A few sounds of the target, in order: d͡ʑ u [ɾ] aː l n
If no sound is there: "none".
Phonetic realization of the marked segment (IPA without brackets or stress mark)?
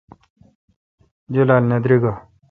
l